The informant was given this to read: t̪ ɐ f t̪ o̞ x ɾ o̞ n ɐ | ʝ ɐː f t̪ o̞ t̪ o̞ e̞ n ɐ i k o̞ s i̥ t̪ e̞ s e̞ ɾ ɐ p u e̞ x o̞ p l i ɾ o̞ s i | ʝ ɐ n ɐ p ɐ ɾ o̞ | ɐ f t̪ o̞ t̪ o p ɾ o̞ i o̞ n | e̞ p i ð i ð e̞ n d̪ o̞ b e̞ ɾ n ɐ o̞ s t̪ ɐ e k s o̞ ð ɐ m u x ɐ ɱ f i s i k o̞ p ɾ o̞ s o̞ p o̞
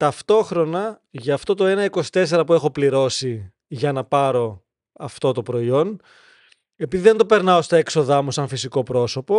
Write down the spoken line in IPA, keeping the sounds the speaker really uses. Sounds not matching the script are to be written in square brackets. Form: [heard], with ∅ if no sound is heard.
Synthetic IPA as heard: t̪ ɐ f t̪ o̞ x ɾ o̞ n ɐ | ʝ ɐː f t̪ o̞ t̪ o̞ e̞ n ɐ i k o̞ s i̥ t̪ e̞ s e̞ ɾ ɐ p u e̞ x o̞ p l i ɾ o̞ s i | ʝ ɐ n ɐ p ɐ ɾ o̞ | ɐ f t̪ o̞ t̪ o p ɾ o̞ i o̞ n | e̞ p i ð i ð e̞ n d̪ o̞ [p] e̞ ɾ n ɐ o̞ s t̪ ɐ e k s o̞ ð ɐ m u [s] ɐ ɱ f i s i k o̞ p ɾ o̞ s o̞ p o̞